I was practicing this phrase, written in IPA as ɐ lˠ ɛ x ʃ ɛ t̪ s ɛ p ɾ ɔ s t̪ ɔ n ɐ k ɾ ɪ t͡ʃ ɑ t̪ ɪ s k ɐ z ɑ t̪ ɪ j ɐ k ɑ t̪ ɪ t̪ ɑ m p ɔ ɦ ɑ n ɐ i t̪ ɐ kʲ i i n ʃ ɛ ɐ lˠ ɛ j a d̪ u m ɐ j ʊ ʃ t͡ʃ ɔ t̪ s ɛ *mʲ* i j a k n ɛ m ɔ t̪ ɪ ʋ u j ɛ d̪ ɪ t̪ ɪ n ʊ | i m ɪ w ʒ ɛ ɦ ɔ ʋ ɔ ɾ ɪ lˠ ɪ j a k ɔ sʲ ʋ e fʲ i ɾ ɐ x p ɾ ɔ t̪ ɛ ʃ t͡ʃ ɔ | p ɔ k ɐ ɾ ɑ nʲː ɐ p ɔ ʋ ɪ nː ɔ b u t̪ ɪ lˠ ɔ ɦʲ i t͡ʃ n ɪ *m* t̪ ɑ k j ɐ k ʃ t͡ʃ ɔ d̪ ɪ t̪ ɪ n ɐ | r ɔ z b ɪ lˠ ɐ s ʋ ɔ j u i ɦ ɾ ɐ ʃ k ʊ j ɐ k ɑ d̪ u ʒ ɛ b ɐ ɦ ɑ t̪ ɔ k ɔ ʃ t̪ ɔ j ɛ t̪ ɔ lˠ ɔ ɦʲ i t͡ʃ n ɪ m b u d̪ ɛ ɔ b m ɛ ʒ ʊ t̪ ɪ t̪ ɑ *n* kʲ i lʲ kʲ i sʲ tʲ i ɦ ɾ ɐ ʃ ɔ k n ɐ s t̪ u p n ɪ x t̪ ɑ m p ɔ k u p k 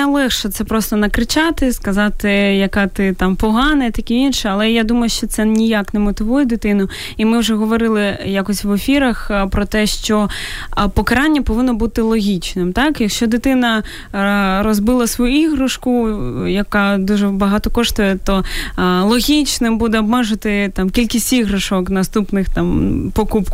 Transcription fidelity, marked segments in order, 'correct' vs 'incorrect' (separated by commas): incorrect, correct, incorrect